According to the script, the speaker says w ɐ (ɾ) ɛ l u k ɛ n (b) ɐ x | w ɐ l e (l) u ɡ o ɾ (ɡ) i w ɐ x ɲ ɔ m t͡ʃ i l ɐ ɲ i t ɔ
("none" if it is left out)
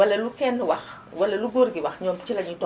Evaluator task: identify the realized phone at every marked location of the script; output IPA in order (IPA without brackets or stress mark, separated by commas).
l, w, l, ɡ